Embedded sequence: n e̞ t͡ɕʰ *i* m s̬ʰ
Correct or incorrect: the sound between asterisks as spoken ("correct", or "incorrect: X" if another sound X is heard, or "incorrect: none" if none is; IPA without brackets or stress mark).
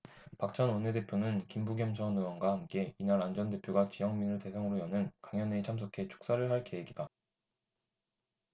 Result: incorrect: a